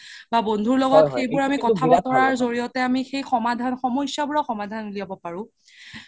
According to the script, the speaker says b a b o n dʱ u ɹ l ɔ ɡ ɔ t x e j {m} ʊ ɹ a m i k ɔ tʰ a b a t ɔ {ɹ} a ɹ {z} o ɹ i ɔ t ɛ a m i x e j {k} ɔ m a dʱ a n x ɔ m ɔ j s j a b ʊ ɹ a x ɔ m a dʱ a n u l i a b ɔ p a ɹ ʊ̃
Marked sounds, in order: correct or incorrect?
incorrect: b, correct, correct, incorrect: x

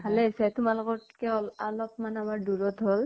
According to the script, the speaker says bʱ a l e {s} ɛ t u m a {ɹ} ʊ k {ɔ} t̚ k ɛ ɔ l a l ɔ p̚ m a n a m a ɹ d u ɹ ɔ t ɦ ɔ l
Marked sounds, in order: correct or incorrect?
correct, incorrect: l, correct

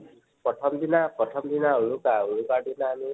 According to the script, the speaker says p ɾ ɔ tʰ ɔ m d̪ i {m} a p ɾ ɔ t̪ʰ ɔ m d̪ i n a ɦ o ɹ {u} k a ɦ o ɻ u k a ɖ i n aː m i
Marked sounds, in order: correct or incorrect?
incorrect: n, correct

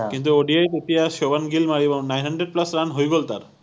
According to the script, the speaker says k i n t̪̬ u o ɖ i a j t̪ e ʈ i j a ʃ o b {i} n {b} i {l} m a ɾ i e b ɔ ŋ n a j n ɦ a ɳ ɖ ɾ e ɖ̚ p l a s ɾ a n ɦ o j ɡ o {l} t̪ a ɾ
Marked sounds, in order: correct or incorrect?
incorrect: a, incorrect: ɡ, correct, correct

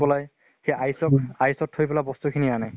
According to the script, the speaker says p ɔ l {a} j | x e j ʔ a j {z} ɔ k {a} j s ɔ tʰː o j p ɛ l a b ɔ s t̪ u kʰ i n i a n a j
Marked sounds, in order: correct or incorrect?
correct, incorrect: s, correct

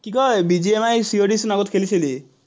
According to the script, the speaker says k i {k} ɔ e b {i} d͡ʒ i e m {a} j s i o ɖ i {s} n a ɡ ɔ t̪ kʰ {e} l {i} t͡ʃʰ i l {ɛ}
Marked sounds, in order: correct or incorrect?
correct, correct, correct, correct, correct, correct, incorrect: i

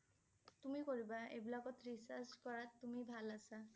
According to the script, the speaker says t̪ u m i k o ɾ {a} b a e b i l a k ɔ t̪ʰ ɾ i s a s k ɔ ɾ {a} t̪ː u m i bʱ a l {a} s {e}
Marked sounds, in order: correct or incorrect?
incorrect: i, correct, correct, incorrect: a

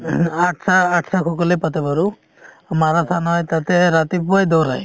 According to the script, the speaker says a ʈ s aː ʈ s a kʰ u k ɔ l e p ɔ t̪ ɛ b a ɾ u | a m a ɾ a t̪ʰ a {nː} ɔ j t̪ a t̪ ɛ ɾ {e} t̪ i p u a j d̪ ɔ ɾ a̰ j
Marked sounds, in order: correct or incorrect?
incorrect: n, incorrect: a

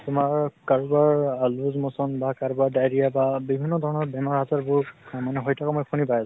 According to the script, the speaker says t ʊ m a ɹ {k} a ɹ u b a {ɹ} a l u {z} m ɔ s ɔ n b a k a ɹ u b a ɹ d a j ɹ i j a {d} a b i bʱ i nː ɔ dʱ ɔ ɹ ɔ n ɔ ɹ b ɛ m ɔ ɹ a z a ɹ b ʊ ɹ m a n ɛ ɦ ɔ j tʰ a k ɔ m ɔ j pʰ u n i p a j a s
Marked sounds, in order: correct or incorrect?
correct, correct, correct, incorrect: b

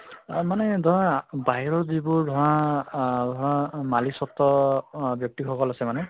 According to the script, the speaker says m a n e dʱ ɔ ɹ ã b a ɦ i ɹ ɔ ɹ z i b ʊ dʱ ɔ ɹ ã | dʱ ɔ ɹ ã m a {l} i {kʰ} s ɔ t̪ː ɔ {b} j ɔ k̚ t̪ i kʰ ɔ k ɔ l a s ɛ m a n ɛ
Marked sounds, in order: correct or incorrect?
correct, incorrect: none, correct

